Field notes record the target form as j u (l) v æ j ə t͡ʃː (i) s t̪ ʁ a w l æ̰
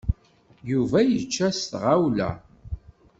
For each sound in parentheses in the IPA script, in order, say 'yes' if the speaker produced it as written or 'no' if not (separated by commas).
no, no